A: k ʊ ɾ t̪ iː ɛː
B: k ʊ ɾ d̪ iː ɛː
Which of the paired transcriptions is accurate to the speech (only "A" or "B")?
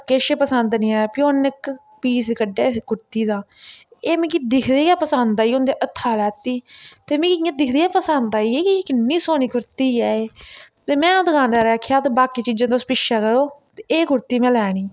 A